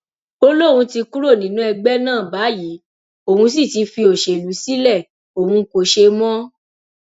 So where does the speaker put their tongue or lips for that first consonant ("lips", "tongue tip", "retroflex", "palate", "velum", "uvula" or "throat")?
tongue tip